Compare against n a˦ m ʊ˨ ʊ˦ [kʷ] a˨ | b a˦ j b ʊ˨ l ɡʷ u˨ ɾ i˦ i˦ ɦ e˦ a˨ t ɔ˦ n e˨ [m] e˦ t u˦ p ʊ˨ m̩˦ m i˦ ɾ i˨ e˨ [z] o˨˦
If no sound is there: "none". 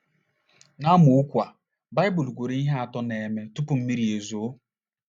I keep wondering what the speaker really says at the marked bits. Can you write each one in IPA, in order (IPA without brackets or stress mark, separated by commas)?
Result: kʷ, m, z